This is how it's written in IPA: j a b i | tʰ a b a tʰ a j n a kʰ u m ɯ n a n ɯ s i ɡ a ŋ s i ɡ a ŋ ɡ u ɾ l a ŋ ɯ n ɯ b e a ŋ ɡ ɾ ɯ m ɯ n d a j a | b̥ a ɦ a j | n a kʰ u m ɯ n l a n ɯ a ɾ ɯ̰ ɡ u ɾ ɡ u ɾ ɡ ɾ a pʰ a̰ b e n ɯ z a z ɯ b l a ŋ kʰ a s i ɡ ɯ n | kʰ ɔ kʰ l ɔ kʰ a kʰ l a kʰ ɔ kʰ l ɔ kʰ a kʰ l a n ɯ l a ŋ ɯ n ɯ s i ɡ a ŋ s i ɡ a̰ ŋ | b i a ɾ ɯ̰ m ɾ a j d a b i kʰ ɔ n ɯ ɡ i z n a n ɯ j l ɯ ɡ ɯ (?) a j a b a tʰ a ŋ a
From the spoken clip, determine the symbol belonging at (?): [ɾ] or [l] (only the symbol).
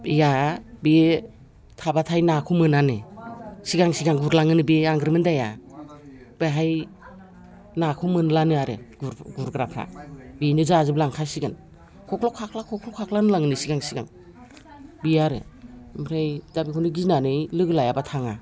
l